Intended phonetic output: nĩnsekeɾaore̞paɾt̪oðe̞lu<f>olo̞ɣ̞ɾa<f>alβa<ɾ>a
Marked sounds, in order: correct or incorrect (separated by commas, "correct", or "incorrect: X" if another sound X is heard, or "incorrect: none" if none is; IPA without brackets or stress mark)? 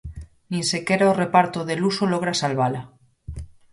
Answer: incorrect: s, incorrect: s, incorrect: l